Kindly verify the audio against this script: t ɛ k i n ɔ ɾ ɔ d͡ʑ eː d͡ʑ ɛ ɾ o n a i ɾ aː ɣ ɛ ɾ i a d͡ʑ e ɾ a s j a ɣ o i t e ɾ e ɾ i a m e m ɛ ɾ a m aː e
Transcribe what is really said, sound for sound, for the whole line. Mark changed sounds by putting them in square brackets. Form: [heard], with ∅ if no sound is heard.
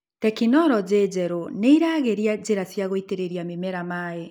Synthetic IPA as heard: t ɛ k i n ɔ ɾ ɔ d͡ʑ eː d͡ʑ ɛ ɾ o n [e] i ɾ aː ɣ [e] ɾ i a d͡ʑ e ɾ a s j a ɣ o i t e ɾ e ɾ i a m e m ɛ ɾ a m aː e